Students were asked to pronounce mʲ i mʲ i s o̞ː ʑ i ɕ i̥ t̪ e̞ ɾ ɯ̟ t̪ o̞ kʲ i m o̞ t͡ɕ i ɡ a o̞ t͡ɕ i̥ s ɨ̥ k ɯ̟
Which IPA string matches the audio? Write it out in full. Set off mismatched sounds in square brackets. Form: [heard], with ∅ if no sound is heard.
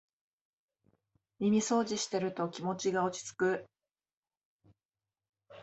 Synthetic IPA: mʲ i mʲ i s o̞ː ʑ i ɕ i̥ t̪ e̞ ɾ ɯ̟ t̪ o̞ kʲ i m o̞ t͡ɕ i ɡ a o̞ t͡ɕ i̥ [t͡s] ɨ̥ k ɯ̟